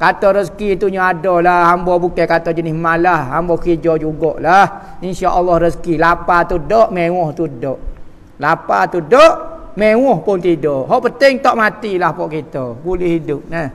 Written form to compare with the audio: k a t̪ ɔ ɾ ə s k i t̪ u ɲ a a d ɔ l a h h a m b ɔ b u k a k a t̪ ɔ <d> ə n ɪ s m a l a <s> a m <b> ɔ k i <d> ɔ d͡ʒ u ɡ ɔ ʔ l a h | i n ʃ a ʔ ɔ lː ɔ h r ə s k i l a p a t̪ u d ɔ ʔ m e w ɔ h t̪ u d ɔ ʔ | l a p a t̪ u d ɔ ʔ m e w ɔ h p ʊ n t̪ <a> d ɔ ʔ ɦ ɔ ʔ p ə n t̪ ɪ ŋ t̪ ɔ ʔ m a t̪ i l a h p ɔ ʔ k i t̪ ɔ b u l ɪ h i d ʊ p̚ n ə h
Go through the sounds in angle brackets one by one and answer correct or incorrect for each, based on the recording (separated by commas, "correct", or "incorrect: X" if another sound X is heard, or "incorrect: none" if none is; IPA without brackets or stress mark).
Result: incorrect: d͡ʒ, incorrect: h, correct, incorrect: d͡ʒ, incorrect: i